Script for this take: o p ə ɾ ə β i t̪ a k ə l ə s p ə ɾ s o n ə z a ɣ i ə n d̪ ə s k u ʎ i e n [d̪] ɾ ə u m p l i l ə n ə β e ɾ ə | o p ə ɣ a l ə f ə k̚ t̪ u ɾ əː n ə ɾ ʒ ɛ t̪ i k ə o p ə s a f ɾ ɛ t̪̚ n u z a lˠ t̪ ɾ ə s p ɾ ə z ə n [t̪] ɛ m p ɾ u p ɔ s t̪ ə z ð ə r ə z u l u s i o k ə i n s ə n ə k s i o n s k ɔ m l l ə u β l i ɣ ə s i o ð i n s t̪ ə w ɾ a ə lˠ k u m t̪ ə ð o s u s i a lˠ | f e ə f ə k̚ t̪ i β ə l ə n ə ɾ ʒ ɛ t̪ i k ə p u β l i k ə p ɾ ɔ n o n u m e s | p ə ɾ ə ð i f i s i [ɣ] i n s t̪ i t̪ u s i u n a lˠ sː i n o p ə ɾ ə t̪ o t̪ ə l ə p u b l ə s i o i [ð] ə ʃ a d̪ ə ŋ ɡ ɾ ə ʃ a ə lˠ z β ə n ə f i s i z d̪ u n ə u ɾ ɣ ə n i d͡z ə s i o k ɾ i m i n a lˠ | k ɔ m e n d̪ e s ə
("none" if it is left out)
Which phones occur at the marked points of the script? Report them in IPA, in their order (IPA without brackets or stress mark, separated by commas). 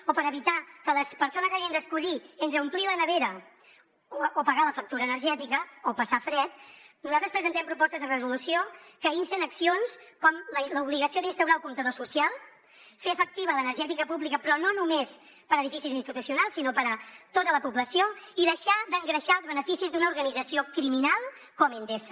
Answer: t̪, t̪, z, ð